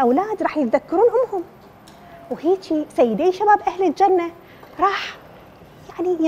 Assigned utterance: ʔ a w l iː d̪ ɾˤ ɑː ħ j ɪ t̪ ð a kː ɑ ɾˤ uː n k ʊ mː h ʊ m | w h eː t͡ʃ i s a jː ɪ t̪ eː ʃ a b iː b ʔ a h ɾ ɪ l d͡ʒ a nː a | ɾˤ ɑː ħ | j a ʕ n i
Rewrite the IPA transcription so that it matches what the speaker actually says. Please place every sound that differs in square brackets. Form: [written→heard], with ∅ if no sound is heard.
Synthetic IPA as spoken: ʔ a w l [iː→aː] d̪ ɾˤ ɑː ħ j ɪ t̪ ð a kː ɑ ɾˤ uː n [k→ʔ] ʊ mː h ʊ m | w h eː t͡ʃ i s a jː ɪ [t̪→d̪] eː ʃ a b [iː→aː] b ʔ a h [ɾ→l] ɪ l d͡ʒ a nː a | ɾˤ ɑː ħ | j a ʕ n i